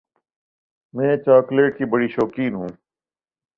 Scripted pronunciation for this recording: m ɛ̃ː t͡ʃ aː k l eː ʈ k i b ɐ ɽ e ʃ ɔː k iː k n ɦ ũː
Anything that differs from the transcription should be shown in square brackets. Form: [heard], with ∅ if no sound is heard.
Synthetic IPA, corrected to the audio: m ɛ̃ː t͡ʃ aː k l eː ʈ k i b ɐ ɽ [i] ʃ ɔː k iː [∅] n ɦ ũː

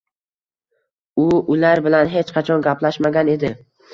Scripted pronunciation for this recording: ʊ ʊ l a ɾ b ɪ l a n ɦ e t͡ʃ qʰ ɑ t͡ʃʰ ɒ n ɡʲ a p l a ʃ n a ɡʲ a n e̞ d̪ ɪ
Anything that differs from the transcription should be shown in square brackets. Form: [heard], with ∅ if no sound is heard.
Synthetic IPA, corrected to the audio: ʊ ʊ l a ɾ b ɪ l a n ɦ e t͡ʃ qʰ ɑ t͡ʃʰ ɒ n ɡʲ a p l a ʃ [m] a ɡʲ a n e̞ d̪ ɪ

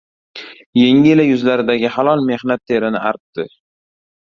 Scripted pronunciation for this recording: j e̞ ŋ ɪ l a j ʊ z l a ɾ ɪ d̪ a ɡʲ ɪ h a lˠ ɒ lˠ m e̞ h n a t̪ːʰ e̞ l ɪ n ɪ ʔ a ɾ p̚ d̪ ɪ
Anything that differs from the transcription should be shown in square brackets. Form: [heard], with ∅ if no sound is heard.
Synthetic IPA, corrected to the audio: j e̞ ŋ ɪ l a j ʊ z l a ɾ ɪ d̪ a ɡʲ ɪ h a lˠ ɒ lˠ m e̞ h n a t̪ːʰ e̞ [ɾ] ɪ n ɪ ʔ a ɾ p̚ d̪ ɪ

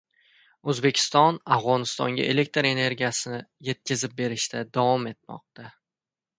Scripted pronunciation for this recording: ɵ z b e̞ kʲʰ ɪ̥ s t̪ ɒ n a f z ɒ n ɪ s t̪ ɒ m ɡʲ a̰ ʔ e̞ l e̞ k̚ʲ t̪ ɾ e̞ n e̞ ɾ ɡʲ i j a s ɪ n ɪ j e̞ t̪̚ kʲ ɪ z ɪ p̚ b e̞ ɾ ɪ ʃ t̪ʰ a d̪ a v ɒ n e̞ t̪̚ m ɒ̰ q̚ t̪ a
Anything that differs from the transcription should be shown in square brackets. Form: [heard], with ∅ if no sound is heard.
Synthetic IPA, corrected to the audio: ɵ z b e̞ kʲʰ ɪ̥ s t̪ ɒ n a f [ʁ] ɒ n ɪ s t̪ ɒ [ŋ] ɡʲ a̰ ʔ e̞ l e̞ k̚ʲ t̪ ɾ e̞ n e̞ ɾ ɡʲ i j a s ɪ n ɪ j e̞ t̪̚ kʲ ɪ z ɪ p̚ b e̞ ɾ ɪ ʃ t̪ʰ a d̪ a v ɒ [m] e̞ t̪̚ m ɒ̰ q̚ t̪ a

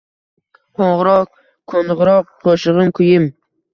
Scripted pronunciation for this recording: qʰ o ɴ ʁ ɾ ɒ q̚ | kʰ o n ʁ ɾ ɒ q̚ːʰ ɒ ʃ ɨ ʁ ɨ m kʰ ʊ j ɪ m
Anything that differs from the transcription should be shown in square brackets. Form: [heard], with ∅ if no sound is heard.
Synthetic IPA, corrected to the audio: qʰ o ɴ ʁ ɾ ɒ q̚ | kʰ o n ʁ ɾ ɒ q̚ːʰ [o] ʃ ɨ ʁ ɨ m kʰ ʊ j ɪ m

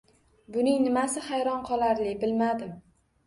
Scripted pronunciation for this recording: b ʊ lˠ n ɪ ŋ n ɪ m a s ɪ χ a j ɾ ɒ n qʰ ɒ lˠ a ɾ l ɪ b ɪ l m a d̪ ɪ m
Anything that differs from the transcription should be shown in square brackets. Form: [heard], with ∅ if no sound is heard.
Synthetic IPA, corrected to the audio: b ʊ [∅] n ɪ ŋ n ɪ m a s ɪ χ a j ɾ ɒ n qʰ ɒ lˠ a ɾ l ɪ b ɪ l m a d̪ ɪ m

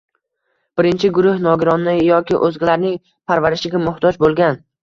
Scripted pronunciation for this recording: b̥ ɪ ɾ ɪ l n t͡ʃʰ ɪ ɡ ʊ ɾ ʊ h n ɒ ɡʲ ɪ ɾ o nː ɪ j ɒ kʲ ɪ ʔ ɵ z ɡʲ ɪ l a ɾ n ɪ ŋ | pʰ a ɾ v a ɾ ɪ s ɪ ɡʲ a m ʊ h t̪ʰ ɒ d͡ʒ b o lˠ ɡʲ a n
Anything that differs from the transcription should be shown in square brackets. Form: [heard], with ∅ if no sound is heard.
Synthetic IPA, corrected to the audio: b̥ ɪ ɾ ɪ [∅] n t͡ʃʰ ɪ ɡ ʊ ɾ ʊ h n ɒ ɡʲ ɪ ɾ [ɒ] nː ɪ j ɒ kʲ ɪ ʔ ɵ z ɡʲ ɪ l a ɾ n ɪ ŋ | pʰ a ɾ v a ɾ ɪ [ʃ] ɪ ɡʲ a m ʊ h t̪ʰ ɒ d͡ʒ b o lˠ ɡʲ a n

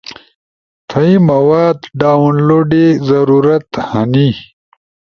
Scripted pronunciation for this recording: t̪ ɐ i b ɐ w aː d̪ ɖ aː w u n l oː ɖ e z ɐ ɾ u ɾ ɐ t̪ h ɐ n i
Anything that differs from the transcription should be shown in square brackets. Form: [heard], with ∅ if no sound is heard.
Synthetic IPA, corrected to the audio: [t̪ʰ] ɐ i [m] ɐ w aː d̪ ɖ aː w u n l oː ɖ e z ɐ ɾ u ɾ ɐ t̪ h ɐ n i

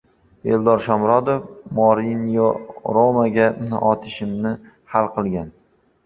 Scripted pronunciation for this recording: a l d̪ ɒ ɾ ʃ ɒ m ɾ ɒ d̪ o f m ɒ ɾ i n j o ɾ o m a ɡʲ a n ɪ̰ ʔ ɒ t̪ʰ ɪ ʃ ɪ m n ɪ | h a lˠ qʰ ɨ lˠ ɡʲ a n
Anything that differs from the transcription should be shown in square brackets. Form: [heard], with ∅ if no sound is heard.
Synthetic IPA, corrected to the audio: [e] l d̪ ɒ ɾ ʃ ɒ m ɾ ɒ d̪ o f m ɒ ɾ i n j o ɾ o m a ɡʲ a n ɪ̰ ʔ ɒ t̪ʰ ɪ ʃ ɪ m n ɪ | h a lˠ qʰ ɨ lˠ ɡʲ a n

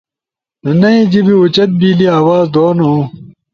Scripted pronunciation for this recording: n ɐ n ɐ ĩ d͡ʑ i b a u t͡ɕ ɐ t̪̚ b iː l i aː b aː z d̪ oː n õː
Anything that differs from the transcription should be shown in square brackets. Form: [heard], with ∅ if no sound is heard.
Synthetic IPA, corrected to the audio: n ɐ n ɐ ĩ d͡ʑ i b [i] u t͡ɕ ɐ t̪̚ b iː l i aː [w] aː z d̪ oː n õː

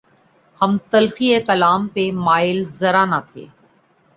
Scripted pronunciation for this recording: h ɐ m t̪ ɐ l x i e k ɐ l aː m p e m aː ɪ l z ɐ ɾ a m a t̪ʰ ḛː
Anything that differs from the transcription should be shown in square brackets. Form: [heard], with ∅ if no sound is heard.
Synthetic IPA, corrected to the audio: h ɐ m t̪ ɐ l x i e k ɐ l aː m p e m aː ɪ l z ɐ ɾ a [n] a t̪ʰ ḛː

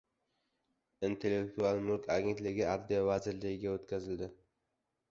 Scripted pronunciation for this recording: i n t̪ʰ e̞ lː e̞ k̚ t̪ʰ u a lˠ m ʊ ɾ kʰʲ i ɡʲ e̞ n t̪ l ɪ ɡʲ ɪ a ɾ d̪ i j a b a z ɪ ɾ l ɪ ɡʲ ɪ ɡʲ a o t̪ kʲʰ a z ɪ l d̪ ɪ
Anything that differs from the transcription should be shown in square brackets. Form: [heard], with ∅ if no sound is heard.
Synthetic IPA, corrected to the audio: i n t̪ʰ e̞ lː e̞ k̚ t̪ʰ u a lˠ m ʊ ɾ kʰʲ [a] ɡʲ e̞ n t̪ l ɪ ɡʲ ɪ a ɾ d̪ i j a [v] a z ɪ ɾ l ɪ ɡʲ ɪ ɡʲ a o t̪ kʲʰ a z ɪ l d̪ ɪ

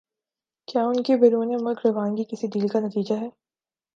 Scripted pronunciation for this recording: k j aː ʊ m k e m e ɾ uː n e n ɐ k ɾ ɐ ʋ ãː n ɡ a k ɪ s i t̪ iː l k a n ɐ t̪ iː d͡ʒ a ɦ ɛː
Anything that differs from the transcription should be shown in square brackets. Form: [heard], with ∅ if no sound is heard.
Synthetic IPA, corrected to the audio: k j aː ʊ [n] k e [b] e ɾ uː n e [m] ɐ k ɾ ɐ ʋ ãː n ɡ [i] k ɪ s i [d̪] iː l k a n ɐ t̪ iː d͡ʒ a ɦ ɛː

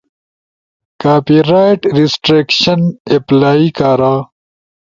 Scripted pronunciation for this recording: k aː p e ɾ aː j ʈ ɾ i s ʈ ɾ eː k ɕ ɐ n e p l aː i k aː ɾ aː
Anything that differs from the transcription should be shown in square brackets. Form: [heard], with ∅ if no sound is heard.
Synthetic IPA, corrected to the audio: k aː p [i] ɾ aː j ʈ ɾ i s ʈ ɾ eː k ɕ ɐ n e p l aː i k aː ɾ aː

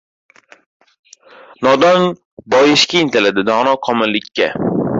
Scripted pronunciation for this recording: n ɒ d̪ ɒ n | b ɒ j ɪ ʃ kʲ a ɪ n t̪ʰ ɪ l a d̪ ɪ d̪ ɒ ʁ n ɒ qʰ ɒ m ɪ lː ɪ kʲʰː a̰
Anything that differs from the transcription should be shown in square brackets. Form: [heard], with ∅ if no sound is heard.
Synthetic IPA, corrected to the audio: n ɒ d̪ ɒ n | b ɒ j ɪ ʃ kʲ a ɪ n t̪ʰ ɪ l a d̪ ɪ d̪ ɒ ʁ n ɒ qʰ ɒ m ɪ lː ɪ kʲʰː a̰

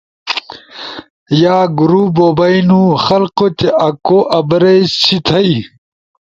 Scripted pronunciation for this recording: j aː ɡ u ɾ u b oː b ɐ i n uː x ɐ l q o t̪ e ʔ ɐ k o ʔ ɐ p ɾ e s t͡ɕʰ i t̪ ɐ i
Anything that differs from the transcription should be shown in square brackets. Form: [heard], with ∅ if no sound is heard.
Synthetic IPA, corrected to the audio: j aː ɡ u ɾ u b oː b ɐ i n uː x ɐ l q o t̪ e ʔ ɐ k o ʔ ɐ [b] ɾ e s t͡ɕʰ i [t̪ʰ] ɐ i

